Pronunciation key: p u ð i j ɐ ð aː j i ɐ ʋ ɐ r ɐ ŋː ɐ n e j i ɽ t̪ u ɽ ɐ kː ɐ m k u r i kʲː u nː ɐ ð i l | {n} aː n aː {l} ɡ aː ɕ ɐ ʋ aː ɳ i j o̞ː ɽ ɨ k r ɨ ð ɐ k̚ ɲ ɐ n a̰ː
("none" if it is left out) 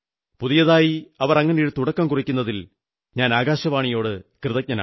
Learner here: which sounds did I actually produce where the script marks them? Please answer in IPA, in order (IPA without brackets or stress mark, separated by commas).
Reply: ɲ, none